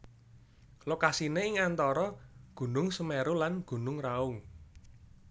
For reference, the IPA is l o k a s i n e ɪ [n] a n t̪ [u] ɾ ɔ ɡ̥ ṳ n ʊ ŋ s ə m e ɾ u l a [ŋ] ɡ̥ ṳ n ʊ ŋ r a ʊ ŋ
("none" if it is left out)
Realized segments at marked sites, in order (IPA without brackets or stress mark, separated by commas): ŋ, ɔ, n